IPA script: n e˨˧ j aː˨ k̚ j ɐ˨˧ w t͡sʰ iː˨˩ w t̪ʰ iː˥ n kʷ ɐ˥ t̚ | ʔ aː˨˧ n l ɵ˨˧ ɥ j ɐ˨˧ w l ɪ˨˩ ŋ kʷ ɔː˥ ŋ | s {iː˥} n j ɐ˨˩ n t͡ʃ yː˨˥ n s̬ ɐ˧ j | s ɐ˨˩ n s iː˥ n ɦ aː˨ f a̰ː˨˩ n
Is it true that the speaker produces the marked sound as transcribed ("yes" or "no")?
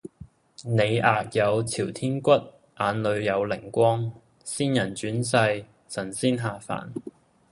yes